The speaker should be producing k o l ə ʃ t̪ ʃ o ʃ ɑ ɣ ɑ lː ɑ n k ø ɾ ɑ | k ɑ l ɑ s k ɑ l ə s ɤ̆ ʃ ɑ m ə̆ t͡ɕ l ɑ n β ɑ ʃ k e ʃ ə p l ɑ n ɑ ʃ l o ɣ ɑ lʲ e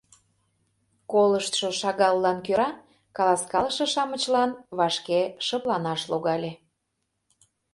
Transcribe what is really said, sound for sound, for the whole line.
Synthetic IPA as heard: k o l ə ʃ t̪ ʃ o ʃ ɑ ɣ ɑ lː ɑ n k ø ɾ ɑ | k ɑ l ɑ s k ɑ l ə ʃ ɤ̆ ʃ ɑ m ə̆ t͡ɕ l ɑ n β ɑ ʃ k e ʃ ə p l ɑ n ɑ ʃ l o ɣ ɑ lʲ e